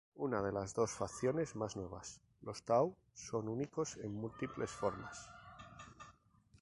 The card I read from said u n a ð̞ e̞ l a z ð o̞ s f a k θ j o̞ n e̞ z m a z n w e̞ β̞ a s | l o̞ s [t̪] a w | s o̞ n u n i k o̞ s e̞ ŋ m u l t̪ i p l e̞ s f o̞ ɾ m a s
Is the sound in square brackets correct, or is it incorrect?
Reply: correct